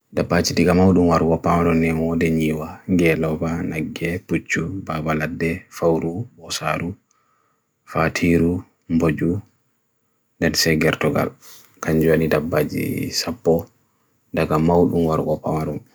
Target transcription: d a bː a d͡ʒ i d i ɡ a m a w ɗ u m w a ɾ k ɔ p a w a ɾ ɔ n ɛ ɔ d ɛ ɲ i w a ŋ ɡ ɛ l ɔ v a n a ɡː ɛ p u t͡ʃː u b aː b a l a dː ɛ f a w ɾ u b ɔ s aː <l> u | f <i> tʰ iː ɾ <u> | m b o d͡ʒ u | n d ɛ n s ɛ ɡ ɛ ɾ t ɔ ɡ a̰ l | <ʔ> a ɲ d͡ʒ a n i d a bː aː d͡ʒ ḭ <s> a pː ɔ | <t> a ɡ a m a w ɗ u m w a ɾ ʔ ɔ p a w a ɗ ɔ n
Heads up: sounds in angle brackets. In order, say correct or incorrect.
incorrect, incorrect, correct, incorrect, correct, incorrect

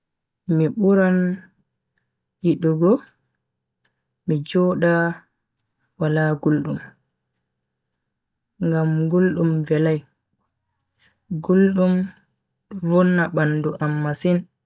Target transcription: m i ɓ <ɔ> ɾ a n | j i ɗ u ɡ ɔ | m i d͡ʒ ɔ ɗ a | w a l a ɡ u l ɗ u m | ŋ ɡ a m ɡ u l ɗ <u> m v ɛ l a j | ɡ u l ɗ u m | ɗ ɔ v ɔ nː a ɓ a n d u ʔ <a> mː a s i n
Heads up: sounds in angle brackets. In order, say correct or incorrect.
incorrect, correct, correct

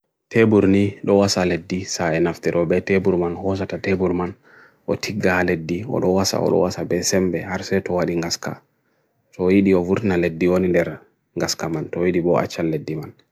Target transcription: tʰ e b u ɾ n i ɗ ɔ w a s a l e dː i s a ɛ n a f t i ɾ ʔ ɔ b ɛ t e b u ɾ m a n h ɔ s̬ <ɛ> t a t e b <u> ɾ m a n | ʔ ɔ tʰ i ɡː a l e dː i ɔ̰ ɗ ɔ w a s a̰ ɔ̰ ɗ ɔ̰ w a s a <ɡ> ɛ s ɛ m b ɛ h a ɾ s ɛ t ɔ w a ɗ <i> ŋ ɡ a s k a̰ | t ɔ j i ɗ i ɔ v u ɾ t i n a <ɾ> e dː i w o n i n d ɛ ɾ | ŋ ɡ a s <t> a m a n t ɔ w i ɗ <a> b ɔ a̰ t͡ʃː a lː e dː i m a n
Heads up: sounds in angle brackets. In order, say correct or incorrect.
incorrect, correct, incorrect, correct, incorrect, incorrect, incorrect

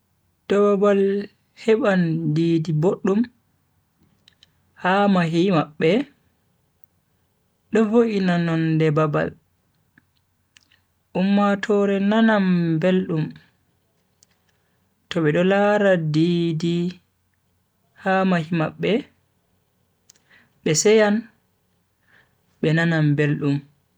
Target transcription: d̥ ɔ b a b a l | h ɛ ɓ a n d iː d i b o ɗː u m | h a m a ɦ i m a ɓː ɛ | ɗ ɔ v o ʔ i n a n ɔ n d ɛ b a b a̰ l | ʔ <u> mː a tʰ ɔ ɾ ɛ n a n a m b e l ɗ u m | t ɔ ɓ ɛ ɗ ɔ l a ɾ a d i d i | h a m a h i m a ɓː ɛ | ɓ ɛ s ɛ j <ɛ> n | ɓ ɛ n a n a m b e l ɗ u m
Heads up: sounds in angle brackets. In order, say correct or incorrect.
correct, incorrect

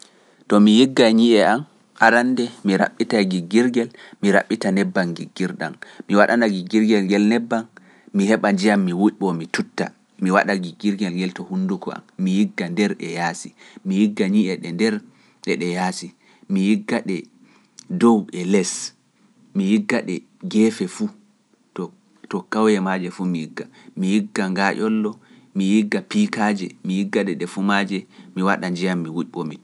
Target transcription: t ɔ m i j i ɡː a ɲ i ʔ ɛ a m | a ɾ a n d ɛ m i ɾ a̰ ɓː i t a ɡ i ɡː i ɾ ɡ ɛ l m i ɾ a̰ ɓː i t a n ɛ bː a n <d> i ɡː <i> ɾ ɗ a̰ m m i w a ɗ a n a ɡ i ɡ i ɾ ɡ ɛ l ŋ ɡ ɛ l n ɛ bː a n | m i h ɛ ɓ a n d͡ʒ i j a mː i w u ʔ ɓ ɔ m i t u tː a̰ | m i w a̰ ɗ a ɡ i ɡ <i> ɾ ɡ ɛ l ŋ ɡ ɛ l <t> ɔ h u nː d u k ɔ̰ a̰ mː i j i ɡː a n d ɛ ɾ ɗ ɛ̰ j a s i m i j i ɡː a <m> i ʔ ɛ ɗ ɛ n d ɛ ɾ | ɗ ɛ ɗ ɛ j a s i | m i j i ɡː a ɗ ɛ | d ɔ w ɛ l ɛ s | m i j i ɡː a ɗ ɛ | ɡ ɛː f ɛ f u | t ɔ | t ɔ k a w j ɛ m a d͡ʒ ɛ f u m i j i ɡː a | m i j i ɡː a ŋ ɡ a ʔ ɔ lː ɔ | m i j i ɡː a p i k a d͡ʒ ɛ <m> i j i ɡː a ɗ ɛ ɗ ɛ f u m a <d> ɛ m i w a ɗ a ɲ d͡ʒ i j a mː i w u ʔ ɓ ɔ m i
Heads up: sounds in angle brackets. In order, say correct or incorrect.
incorrect, correct, correct, correct, incorrect, correct, incorrect

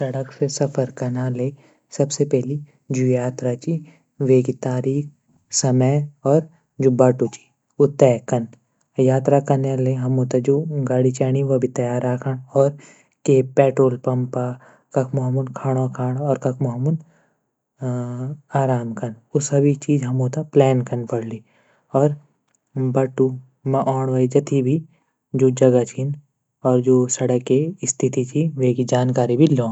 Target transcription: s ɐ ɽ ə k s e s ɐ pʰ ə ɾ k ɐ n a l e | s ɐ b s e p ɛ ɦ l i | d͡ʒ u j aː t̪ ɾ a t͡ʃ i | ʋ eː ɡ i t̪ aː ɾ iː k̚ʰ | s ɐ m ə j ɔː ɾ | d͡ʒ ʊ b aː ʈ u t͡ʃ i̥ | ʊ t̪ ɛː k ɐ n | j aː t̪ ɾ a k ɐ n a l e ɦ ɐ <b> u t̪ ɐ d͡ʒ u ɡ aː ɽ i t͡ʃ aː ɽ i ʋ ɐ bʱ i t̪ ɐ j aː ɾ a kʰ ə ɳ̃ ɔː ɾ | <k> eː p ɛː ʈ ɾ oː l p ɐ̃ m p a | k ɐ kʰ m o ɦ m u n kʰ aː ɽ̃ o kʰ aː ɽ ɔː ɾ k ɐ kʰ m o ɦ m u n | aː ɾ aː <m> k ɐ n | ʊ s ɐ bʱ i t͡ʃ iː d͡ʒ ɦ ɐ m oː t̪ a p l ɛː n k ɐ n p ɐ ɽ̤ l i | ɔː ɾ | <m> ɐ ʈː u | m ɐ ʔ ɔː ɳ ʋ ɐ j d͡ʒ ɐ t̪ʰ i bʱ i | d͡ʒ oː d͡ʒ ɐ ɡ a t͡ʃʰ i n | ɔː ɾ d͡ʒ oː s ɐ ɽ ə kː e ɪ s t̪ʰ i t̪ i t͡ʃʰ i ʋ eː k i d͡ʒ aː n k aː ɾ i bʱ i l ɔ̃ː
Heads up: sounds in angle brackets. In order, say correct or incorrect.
incorrect, correct, correct, incorrect

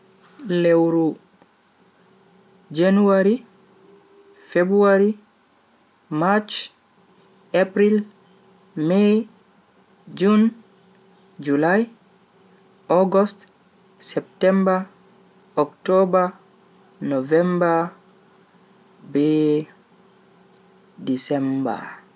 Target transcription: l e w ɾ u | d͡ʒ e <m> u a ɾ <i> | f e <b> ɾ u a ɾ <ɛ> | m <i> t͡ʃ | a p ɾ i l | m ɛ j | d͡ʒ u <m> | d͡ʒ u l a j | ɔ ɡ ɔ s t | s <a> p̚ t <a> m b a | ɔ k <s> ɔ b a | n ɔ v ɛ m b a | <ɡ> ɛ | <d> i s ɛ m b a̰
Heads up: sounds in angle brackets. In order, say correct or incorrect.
incorrect, correct, correct, incorrect, incorrect, incorrect, incorrect, incorrect, incorrect, incorrect, correct

